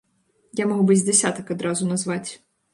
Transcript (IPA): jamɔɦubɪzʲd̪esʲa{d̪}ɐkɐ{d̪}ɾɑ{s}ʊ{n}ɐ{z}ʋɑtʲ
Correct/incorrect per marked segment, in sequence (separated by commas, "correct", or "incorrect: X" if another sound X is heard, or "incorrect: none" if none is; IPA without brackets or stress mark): incorrect: t̪, correct, incorrect: z, correct, correct